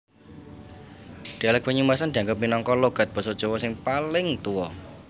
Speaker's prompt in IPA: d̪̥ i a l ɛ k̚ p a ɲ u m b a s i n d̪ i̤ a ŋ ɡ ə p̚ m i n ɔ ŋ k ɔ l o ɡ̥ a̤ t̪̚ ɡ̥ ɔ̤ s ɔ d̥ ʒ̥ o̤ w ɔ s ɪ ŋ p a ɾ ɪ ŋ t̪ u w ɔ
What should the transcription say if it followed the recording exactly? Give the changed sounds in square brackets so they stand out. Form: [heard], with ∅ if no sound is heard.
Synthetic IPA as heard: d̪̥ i a l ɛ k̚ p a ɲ u m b a s [a] n d̪ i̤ a ŋ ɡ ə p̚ m i n ɔ ŋ k ɔ l o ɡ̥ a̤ t̪̚ [b̥] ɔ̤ s ɔ d̥ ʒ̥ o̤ w ɔ s ɪ ŋ p a [l] ɪ ŋ t̪ u w ɔ